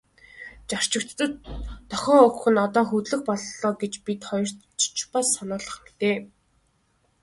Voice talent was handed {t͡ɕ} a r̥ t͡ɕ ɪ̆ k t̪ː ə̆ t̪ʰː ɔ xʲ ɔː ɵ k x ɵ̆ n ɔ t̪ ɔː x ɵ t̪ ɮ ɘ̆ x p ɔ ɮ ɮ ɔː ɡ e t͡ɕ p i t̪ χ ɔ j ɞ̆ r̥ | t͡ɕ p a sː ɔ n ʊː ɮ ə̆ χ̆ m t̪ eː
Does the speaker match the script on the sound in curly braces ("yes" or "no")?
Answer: yes